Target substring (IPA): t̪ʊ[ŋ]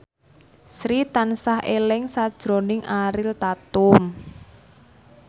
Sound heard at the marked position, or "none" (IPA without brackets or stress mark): m